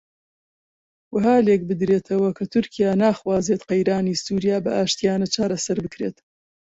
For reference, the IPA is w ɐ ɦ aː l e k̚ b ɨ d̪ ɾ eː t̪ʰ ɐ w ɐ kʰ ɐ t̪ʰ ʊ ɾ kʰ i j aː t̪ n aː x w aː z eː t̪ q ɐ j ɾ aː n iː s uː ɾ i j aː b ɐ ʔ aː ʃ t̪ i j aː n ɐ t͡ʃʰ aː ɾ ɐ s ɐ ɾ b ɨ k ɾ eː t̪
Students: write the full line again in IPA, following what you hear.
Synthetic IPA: w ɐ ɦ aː l e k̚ b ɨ d̪ ɾ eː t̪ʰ ɐ w ɐ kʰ ɐ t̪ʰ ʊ ɾ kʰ i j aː n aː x w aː z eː t̪ q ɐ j ɾ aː n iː s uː ɾ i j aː b ɐ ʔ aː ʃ t̪ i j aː n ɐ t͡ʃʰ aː ɾ ɐ s ɐ ɾ b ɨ k ɾ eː t̪